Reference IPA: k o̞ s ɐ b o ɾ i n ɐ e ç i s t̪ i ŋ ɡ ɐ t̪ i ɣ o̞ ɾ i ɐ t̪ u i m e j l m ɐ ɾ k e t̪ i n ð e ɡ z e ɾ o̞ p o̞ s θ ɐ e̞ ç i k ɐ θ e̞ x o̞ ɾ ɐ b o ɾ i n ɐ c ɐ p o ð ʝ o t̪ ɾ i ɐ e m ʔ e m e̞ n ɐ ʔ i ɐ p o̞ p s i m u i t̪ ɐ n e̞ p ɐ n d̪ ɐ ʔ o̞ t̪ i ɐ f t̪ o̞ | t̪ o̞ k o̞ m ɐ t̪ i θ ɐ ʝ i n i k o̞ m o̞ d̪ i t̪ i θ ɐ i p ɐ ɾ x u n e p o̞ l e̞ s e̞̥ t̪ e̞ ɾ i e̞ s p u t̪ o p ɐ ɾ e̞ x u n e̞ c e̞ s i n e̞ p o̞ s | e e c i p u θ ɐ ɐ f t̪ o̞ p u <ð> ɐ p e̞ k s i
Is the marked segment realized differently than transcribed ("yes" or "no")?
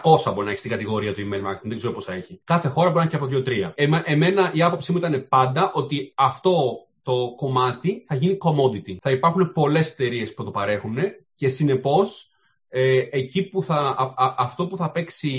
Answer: yes